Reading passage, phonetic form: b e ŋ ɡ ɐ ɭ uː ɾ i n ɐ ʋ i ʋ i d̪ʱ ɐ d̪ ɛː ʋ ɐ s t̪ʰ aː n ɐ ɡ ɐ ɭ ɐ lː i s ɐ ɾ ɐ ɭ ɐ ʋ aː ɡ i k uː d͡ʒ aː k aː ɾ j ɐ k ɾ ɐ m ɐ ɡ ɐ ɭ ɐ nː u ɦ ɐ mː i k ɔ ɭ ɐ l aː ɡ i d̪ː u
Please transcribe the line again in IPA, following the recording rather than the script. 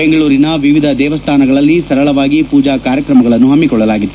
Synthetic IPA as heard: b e ŋ ɡ ɐ ɭ uː ɾ i n ɐ ʋ i ʋ i d̪ʱ ɐ d̪ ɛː ʋ ɐ s t̪ʰ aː n ɐ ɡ ɐ ɭ ɐ lː i s ɐ ɾ ɐ ɭ ɐ ʋ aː ɡ i p uː d͡ʒ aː k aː ɾ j ɐ k ɾ ɐ m ɐ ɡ ɐ ɭ ɐ nː u ɦ ɐ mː i k ɔ ɭː ɐ l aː ɡ i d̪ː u